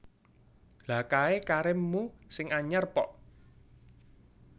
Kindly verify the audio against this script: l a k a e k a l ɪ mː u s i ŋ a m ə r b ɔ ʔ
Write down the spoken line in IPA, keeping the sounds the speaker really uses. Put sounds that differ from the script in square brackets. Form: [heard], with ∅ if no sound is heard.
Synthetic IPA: l a k a e k a [ɾ] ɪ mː u s [ɪ] ŋ a [ɲ] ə r [p] ɔ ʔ